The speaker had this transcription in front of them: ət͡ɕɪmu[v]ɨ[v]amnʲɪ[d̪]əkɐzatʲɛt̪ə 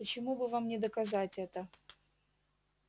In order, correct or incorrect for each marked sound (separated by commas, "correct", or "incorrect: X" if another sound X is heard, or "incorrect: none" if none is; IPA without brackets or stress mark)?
incorrect: b, correct, correct